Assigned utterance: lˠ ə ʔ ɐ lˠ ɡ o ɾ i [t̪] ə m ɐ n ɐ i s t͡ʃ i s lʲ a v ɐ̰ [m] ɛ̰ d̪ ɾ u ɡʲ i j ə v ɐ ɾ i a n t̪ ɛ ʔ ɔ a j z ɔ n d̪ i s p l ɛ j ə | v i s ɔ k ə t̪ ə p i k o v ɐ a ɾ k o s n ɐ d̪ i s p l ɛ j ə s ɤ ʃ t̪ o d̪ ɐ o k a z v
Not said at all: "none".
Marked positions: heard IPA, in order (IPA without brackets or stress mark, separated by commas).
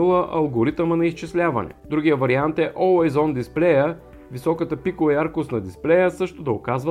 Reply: t̪, n